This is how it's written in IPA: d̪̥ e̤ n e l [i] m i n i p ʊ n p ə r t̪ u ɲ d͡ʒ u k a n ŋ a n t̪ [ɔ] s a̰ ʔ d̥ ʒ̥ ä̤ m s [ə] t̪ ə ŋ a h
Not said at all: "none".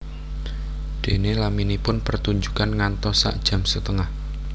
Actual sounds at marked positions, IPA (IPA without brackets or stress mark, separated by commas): a, ɔ, ə